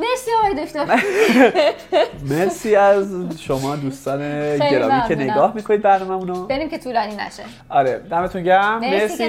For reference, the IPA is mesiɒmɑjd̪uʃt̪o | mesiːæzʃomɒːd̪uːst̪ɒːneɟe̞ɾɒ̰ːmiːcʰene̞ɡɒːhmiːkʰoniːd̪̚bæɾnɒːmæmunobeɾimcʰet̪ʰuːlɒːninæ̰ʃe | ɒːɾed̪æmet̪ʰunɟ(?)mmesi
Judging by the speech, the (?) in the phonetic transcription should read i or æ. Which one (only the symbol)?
æ